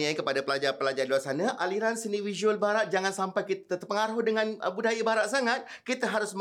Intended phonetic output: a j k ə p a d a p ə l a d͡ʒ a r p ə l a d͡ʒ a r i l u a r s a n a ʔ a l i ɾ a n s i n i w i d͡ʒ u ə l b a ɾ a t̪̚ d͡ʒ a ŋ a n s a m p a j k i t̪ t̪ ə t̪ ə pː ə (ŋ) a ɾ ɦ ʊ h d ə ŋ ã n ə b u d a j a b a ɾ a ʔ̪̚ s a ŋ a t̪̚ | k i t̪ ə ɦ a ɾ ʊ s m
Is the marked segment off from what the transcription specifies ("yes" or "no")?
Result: no